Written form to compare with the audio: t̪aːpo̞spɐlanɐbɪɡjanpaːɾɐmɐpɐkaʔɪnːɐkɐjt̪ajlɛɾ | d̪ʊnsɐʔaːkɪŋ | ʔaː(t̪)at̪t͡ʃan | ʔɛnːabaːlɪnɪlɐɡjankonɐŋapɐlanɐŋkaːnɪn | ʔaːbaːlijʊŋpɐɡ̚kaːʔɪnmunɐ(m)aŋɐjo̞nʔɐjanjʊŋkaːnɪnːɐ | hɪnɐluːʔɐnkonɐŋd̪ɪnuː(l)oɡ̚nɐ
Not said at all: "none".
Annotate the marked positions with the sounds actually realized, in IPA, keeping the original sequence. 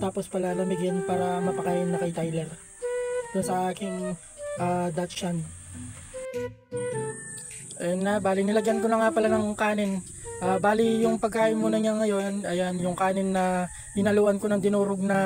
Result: d̪, ɲ, ɾ

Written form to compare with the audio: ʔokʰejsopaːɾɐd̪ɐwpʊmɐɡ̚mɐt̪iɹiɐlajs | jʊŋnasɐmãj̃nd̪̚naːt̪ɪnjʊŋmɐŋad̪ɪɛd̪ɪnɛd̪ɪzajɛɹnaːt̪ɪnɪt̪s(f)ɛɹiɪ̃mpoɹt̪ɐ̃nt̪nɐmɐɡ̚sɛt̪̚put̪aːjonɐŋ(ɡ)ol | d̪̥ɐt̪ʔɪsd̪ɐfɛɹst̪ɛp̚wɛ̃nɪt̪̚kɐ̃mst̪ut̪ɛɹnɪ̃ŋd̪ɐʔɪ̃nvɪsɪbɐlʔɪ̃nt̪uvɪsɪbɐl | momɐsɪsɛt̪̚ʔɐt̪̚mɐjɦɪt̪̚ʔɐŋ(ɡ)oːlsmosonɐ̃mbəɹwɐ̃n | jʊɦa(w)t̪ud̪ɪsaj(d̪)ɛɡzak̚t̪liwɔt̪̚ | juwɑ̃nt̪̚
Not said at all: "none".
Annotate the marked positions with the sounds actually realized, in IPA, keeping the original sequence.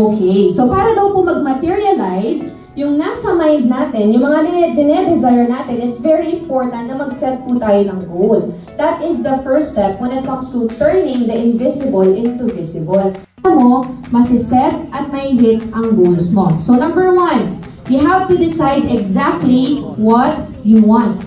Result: v, ɡ, ɡ, v, d̪

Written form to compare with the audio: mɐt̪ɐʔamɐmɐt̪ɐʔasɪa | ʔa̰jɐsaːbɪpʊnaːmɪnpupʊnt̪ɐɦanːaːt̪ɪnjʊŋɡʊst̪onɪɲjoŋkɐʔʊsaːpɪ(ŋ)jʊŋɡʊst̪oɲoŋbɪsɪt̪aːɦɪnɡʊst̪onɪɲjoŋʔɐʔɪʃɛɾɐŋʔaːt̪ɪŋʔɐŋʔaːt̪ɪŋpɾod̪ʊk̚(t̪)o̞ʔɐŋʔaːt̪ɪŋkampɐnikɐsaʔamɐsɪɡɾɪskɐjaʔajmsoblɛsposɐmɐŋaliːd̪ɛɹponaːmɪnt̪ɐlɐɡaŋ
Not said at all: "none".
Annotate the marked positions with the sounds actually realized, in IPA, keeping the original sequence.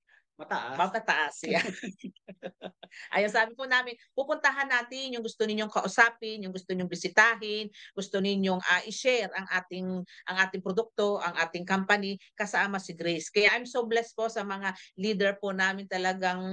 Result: n, t̪

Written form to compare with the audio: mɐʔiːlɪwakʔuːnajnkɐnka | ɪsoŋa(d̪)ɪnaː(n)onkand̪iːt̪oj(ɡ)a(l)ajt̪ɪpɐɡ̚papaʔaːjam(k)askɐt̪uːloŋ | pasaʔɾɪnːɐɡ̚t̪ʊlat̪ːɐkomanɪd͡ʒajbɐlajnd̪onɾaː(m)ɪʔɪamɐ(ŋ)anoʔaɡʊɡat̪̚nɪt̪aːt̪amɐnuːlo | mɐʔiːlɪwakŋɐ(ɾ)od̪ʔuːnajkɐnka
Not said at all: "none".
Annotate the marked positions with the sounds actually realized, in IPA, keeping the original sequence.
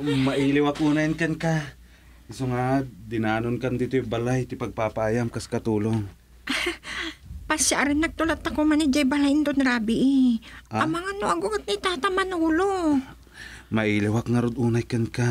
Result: d̪, n, b, l, k, b, ŋ, ɾ

